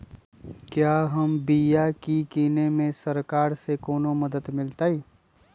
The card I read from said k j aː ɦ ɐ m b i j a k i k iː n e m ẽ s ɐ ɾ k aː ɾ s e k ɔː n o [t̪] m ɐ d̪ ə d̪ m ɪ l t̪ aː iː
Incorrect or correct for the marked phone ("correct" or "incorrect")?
incorrect